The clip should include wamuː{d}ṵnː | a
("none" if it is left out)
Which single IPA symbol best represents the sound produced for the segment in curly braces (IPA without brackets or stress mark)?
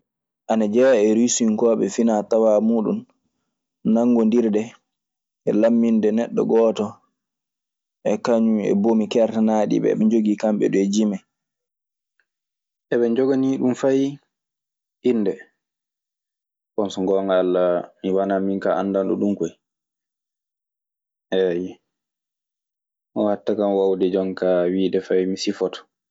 ɗ